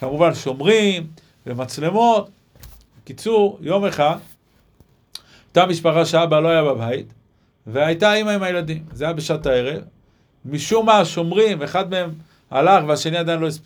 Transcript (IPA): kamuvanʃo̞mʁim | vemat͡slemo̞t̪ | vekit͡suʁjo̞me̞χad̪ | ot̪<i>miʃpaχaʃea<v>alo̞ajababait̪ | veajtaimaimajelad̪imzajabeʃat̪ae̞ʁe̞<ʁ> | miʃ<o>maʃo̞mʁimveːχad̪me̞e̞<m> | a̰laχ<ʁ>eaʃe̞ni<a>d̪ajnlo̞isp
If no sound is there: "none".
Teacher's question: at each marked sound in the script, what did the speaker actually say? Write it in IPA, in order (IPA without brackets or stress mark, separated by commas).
a, b, v, u, m, v, a